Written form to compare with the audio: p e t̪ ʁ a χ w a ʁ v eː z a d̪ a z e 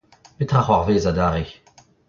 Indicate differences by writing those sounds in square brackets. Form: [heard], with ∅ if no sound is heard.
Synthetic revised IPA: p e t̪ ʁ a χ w a ʁ v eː z a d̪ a [ʁ] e